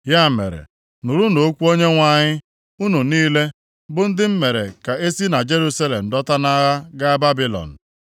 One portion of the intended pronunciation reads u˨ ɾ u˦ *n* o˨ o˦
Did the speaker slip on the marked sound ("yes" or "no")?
no